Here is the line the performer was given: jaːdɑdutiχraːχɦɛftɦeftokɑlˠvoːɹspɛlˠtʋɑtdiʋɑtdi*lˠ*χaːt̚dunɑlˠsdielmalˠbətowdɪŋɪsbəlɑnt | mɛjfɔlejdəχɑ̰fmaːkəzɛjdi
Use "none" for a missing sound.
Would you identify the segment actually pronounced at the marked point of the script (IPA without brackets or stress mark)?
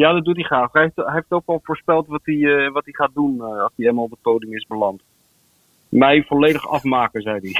none